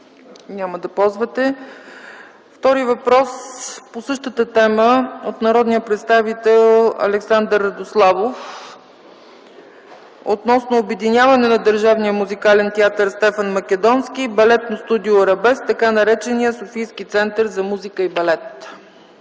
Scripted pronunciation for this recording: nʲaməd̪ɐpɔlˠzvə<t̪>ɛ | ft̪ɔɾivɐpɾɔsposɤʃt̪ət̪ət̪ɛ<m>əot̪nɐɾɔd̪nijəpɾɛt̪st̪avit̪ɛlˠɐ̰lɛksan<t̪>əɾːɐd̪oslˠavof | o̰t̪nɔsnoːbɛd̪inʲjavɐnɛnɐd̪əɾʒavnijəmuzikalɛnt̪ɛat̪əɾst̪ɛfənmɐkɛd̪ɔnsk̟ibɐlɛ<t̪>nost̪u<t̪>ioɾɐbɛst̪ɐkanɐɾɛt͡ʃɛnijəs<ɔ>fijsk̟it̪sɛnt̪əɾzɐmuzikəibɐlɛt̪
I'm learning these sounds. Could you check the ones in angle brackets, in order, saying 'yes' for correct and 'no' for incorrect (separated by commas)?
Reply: yes, yes, no, yes, no, no